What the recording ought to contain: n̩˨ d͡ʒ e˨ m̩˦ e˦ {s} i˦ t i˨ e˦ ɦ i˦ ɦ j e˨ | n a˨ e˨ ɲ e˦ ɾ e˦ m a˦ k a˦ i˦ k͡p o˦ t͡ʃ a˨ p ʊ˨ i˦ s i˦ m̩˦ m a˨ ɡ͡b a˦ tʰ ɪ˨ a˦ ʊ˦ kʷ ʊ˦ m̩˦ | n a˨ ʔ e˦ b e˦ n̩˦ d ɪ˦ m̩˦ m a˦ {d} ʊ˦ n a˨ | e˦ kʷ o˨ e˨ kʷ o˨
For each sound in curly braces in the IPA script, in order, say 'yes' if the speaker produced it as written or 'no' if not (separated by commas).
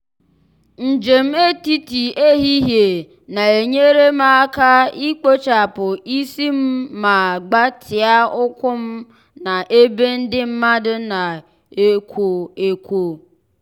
no, yes